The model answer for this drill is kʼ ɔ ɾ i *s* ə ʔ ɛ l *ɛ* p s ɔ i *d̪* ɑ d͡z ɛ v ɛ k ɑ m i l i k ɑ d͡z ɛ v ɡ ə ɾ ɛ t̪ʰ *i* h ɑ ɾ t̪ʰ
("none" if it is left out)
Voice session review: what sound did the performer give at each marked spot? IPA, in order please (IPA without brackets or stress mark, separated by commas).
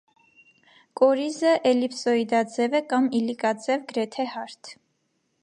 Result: z, i, d̪, ɛ